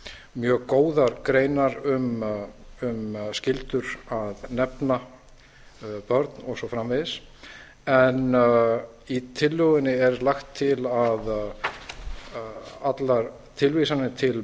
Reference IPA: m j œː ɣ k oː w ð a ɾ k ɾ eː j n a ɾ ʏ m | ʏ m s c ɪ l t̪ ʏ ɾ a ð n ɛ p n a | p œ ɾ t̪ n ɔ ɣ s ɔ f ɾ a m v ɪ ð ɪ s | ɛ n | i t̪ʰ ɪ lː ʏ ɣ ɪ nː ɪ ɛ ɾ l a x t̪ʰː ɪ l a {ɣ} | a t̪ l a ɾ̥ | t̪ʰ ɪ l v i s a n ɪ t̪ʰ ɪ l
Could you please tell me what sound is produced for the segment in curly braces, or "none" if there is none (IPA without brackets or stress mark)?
ð